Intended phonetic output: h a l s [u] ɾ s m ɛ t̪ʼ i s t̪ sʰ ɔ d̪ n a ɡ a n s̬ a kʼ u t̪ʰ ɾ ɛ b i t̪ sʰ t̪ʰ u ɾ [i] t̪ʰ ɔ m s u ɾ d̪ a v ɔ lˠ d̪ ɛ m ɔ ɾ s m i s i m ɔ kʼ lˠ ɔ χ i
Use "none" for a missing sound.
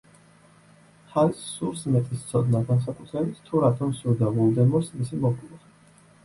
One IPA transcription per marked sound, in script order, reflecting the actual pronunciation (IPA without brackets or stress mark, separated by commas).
u, a